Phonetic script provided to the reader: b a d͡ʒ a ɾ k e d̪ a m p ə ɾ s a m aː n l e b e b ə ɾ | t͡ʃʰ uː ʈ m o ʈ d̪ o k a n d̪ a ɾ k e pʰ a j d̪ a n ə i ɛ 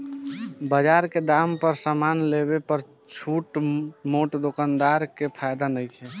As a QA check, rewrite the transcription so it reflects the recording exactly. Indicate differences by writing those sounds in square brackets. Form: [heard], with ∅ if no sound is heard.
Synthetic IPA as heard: b [ə] d͡ʒ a ɾ k e d̪ a m p ə ɾ s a m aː n l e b e [p] ə ɾ | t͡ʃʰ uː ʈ m o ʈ d̪ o k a n d̪ a ɾ k e pʰ a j d̪ a n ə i ɛ